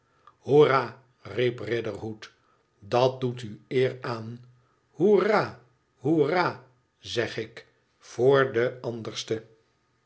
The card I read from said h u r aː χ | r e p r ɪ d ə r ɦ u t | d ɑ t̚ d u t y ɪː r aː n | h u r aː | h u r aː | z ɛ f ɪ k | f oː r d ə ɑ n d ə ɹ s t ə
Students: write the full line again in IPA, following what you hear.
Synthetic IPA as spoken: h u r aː | r i p r ɪ d ə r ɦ u t | d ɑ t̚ d u t y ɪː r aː n | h u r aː | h u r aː | z ɛ χ ɪ k | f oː ɹ d ə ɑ n d ə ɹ s t ə